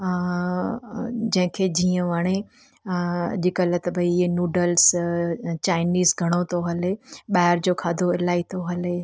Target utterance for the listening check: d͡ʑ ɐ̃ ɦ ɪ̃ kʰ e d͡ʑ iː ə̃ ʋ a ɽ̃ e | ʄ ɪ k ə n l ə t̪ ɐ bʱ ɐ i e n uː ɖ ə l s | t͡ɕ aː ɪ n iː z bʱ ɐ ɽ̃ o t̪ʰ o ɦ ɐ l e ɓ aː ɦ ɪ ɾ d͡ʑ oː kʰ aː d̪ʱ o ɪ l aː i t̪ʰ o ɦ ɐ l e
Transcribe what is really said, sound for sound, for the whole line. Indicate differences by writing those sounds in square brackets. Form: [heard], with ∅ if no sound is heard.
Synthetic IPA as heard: d͡ʑ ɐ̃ ɦ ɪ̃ kʰ e d͡ʑ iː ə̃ ʋ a ɽ̃ e | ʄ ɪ k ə [∅] l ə t̪ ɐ bʱ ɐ i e n uː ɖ ə l s | t͡ɕ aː ɪ n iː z [ɡʱ] ɐ ɽ̃ o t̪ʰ o ɦ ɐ l e ɓ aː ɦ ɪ ɾ d͡ʑ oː kʰ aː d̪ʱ o ɪ l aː i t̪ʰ o ɦ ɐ l e